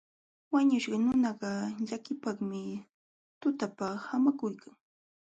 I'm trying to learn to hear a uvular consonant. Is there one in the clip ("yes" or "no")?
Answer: yes